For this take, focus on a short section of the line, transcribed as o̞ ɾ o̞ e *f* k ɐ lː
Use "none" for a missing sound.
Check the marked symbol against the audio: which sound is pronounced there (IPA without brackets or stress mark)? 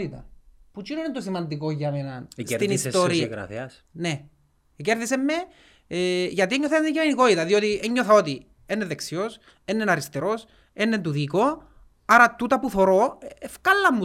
f